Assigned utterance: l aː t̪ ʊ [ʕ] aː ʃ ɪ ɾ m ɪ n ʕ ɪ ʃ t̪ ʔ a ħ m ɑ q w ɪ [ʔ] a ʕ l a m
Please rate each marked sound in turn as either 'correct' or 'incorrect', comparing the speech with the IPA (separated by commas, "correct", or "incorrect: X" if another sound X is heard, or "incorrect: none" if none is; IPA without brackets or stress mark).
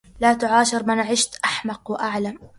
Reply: correct, correct